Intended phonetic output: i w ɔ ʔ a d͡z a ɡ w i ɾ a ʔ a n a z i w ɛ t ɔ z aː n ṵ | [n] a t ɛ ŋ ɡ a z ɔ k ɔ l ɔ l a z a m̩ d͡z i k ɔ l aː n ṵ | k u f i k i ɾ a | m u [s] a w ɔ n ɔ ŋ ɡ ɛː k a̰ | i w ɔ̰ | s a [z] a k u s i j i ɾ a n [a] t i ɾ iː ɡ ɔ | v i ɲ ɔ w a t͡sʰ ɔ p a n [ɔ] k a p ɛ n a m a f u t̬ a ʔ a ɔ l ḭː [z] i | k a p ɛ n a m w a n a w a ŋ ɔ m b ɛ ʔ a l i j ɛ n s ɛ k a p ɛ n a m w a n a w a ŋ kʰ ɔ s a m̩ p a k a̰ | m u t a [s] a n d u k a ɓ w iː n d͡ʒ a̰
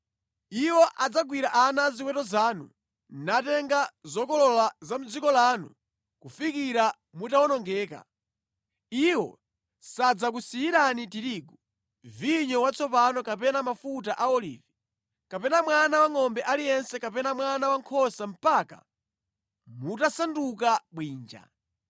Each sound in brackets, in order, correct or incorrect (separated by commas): correct, incorrect, incorrect, incorrect, correct, incorrect, correct